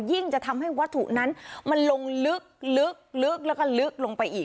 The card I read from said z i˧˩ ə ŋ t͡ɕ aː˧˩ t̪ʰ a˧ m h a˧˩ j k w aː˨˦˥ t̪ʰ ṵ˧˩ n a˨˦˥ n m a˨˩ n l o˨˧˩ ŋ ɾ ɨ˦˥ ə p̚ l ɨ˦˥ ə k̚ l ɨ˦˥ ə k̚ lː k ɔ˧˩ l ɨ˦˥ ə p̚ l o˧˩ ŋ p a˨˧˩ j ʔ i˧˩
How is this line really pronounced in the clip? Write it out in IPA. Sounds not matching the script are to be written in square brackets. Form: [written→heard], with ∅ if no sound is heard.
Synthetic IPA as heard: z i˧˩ ə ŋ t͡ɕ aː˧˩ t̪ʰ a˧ m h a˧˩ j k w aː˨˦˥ t̪ʰ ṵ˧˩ n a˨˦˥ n m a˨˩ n l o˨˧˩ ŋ [ɾ→l] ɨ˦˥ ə [p̚→k̚] l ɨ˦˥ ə k̚ l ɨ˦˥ ə k̚ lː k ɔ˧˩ l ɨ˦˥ ə [p̚→k̚] l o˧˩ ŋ p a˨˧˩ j ʔ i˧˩